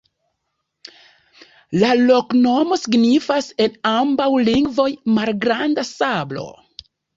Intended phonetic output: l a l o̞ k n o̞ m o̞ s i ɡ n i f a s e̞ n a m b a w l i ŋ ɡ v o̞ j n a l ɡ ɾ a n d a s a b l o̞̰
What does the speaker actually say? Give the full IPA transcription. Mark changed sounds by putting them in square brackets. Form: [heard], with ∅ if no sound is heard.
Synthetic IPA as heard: l a l o̞ k n o̞ m o̞ s i ɡ n i f a s e̞ n a m b a w l i ŋ ɡ v o̞ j [m] a l ɡ ɾ a n d a s a b l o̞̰

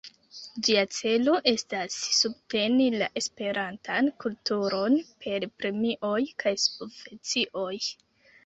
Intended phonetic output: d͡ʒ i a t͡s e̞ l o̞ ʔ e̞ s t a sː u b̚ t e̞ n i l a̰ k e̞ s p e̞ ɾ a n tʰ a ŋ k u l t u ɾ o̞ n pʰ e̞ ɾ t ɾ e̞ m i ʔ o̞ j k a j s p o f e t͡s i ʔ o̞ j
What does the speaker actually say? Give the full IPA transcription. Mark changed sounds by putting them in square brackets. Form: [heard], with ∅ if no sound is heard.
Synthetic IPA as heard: d͡ʒ i a t͡s e̞ l o̞ ʔ e̞ s t a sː u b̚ t e̞ n i l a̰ [ʔ] e̞ s p e̞ ɾ a n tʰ a [n] k u l t u ɾ o̞ n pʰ e̞ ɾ [p] ɾ e̞ m i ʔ o̞ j k a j s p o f e t͡s i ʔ o̞ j

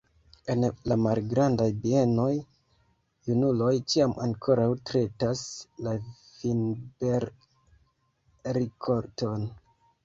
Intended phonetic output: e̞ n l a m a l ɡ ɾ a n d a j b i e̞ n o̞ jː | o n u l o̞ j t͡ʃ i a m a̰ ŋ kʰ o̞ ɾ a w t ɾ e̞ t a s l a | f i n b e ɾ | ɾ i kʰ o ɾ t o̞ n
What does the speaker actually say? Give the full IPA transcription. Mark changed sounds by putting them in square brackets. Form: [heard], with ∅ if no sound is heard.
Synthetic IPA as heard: e̞ n l a m a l ɡ ɾ a n d a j b i e̞ n o̞ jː | [u] n u l o̞ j t͡ʃ i a m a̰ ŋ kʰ o̞ ɾ a w t ɾ e̞ t a s l a | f i n b e ɾ | ɾ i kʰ o ɾ t o̞ n

